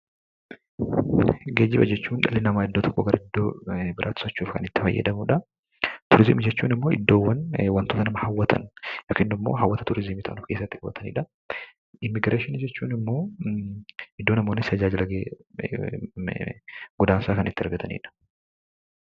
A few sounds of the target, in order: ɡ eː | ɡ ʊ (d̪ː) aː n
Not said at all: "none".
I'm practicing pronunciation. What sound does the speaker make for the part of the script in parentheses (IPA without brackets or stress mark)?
d̪